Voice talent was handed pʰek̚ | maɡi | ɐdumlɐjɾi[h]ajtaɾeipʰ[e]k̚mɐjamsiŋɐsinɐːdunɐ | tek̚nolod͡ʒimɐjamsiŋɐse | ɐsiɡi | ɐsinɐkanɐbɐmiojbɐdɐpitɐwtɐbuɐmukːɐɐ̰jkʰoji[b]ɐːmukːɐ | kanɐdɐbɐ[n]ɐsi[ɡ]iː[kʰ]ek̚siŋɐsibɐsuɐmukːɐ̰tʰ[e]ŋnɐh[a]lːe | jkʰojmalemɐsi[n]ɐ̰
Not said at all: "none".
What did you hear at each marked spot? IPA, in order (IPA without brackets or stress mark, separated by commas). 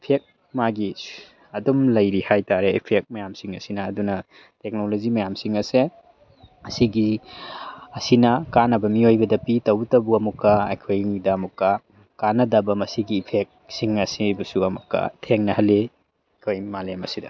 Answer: h, e, d, m, ɡ, pʰ, e, ɐ, d